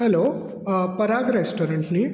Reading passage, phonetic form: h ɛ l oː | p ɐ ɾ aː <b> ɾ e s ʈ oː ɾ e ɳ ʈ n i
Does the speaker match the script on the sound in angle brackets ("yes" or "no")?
no